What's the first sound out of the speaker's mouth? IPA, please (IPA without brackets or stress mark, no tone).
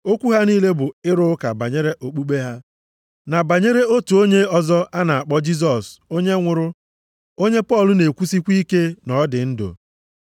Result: o